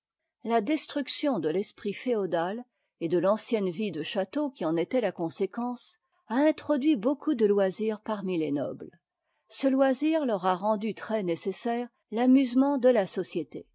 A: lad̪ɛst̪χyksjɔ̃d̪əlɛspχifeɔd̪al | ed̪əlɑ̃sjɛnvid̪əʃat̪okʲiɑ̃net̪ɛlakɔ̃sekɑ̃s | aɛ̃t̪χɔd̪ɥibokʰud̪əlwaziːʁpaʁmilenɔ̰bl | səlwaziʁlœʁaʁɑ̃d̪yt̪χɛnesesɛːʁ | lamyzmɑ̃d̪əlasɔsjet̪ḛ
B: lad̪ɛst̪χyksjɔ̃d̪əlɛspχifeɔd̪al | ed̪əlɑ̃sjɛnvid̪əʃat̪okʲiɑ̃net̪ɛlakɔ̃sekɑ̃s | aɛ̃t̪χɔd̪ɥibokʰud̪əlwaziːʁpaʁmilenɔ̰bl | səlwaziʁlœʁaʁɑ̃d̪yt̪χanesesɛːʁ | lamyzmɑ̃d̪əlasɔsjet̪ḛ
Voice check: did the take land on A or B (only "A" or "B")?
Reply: A